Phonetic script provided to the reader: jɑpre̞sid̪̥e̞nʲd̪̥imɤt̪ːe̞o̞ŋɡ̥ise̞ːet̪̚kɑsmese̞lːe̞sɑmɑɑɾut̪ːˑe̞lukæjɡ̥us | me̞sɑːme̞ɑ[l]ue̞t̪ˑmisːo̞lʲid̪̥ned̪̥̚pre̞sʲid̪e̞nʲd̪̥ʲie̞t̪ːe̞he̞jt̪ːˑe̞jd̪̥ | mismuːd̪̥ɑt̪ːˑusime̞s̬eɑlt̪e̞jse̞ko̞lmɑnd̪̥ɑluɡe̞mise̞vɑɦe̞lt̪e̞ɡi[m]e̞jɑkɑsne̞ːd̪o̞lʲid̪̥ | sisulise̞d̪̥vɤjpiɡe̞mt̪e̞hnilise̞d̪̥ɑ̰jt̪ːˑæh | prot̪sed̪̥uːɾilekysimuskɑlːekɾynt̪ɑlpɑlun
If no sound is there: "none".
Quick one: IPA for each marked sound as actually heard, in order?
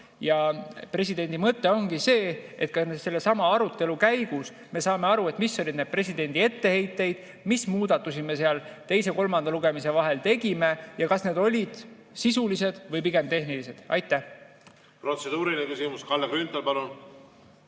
ɾ, m

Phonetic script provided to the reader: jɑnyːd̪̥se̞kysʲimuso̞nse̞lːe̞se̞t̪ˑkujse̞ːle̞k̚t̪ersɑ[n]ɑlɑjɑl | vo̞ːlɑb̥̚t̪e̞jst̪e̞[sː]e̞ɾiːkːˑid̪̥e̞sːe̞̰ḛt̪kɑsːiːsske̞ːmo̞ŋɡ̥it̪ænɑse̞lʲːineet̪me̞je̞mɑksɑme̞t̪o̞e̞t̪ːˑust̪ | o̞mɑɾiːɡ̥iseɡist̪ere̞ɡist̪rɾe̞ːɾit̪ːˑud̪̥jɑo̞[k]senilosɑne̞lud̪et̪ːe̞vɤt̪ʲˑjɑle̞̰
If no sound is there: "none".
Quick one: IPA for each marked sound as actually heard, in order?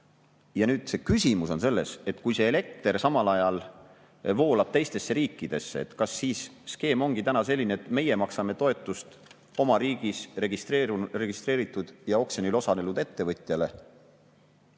m, sː, k

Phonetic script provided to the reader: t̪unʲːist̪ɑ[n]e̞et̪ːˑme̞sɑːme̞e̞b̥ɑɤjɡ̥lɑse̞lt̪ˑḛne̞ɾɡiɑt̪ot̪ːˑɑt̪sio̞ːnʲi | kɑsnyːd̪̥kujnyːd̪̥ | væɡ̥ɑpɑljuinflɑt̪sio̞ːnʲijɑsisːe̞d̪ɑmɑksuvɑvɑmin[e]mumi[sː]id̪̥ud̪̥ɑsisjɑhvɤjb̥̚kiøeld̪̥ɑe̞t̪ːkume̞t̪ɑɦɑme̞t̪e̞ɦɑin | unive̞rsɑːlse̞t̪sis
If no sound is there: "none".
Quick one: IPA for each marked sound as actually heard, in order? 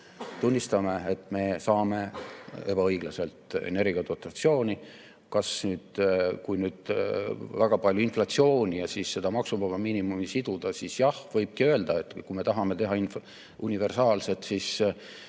m, i, s

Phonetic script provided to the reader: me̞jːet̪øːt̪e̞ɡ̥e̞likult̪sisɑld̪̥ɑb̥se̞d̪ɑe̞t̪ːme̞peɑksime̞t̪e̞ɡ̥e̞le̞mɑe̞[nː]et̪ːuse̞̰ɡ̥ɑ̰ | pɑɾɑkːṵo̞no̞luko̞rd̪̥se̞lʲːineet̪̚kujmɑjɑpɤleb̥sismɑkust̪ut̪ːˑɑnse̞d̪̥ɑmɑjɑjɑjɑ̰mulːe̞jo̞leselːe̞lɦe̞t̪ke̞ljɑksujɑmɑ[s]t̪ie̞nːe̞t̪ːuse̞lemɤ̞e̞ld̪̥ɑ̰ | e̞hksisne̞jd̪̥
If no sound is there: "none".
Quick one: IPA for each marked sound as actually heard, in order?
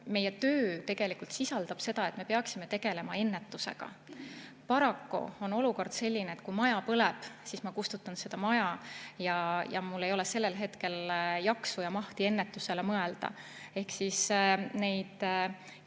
nː, h

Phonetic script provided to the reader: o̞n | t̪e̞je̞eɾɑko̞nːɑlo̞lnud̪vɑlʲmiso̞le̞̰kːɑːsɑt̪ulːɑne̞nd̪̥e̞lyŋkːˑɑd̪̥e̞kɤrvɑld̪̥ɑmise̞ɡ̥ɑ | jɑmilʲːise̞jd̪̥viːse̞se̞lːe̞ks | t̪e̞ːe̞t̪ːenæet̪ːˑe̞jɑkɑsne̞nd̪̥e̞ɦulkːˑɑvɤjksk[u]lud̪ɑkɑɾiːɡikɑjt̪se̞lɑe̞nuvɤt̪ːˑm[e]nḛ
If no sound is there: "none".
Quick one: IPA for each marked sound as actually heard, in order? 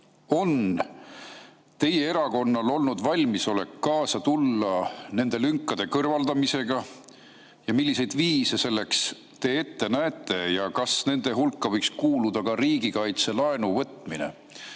uː, i

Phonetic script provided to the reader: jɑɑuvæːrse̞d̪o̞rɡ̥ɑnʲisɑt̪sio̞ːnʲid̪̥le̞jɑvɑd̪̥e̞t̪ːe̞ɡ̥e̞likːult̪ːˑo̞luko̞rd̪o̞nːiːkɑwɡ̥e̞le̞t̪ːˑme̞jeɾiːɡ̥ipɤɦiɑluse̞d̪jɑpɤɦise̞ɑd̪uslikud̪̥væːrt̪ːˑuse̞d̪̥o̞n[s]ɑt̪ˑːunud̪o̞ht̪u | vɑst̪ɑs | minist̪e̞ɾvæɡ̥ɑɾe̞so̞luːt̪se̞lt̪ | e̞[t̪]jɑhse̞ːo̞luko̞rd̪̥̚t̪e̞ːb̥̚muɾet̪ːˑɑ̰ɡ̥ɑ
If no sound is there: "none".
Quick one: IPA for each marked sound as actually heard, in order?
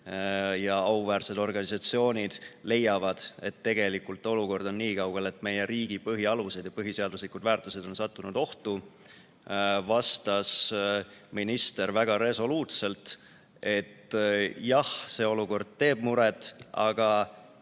s, t̪

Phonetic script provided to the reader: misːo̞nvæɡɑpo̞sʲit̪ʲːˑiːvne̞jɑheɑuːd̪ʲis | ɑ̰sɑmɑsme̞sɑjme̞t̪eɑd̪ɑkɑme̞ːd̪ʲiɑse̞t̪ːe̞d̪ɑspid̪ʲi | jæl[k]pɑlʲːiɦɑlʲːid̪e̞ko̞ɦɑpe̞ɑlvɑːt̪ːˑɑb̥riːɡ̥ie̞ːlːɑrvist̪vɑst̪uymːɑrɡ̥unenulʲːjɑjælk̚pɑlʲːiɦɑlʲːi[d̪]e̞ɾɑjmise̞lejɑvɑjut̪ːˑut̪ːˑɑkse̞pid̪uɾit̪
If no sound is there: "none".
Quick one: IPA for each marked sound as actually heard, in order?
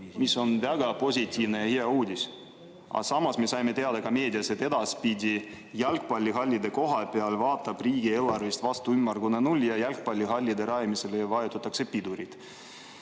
k, d̪

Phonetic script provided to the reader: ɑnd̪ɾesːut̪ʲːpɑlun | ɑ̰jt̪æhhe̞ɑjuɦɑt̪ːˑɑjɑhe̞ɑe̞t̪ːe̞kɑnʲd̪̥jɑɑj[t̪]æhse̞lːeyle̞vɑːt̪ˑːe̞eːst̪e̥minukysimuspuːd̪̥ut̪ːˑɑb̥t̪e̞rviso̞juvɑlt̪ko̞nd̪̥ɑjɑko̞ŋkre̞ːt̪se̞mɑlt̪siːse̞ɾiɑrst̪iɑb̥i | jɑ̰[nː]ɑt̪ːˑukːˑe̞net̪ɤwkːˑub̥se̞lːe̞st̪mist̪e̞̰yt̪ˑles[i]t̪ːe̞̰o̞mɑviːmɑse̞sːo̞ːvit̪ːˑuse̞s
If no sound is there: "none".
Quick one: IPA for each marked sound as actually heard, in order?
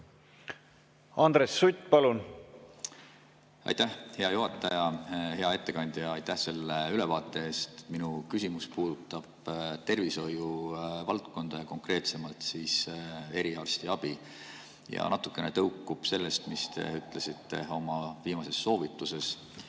t̪, n, i

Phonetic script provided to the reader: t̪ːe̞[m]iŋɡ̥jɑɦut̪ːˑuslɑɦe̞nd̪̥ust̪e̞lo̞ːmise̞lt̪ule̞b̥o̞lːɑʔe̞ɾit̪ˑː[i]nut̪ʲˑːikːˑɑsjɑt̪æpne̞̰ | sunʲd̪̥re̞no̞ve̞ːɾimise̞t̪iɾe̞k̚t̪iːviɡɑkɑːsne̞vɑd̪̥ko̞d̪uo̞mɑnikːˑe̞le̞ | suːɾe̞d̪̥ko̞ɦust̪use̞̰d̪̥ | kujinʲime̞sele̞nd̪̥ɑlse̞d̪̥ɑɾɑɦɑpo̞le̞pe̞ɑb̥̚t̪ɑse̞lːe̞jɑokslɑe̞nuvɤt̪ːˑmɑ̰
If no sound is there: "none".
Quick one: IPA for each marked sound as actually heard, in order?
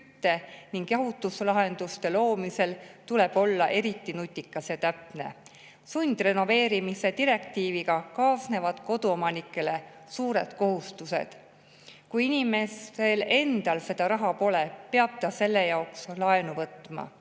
n, i

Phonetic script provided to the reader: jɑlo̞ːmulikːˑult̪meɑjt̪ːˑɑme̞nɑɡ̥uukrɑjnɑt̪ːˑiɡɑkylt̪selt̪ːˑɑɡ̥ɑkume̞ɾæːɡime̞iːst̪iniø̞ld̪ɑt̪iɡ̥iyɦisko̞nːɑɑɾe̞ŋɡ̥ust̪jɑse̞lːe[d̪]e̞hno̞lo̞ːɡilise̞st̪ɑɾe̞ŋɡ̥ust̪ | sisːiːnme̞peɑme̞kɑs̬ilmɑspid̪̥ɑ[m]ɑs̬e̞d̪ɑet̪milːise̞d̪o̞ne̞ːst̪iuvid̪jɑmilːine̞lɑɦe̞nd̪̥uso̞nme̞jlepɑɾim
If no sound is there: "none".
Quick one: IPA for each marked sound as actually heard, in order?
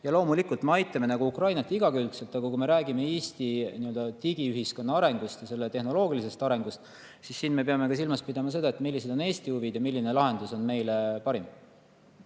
t̪, m

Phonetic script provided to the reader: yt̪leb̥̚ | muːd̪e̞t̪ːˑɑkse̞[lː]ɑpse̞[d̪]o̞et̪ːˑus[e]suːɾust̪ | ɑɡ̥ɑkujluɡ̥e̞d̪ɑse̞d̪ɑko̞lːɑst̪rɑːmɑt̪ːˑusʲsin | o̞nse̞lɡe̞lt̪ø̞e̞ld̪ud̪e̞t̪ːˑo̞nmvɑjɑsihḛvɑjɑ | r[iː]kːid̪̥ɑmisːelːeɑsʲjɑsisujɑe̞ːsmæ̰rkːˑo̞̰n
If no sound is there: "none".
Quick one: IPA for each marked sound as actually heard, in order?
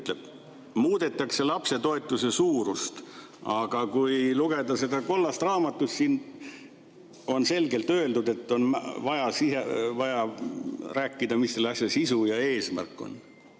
l, t̪, e, æː

